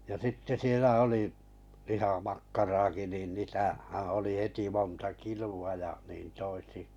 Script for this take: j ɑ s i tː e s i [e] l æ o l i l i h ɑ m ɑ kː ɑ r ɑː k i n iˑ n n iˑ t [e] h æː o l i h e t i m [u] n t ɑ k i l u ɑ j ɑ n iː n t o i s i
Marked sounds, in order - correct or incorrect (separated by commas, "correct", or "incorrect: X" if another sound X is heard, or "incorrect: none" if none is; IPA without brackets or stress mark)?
correct, incorrect: æ, incorrect: o